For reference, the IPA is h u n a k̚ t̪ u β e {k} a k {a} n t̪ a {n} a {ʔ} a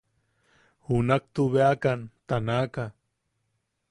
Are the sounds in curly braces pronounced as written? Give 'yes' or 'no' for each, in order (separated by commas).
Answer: no, yes, yes, no